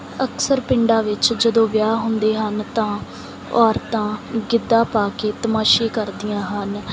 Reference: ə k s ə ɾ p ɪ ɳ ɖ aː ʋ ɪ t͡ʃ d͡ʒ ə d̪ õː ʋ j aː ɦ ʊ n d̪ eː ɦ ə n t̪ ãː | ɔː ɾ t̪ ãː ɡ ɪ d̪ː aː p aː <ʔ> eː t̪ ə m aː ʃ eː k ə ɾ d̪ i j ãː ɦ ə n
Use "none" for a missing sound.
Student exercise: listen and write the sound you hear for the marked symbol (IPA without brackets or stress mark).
k